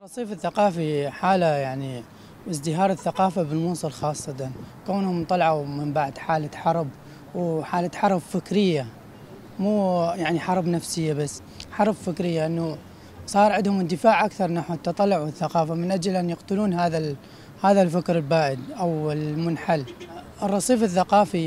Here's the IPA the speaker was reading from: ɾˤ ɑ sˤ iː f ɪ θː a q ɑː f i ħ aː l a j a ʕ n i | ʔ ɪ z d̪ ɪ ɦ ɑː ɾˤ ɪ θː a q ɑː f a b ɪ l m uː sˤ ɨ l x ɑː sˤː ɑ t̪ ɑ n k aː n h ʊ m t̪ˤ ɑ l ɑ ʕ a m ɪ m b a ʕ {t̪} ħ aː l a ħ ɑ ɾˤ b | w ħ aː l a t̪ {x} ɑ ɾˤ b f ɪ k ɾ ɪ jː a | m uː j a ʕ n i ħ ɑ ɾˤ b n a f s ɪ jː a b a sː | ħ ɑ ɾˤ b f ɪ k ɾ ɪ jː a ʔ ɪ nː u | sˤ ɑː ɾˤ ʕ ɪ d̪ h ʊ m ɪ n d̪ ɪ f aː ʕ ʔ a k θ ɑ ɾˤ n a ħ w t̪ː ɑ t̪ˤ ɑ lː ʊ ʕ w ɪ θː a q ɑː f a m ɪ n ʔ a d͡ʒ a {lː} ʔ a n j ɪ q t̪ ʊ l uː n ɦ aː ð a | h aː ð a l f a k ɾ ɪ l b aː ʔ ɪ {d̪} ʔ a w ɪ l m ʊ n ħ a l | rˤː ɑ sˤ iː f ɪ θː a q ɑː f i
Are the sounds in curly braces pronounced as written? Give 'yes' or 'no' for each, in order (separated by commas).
no, no, no, yes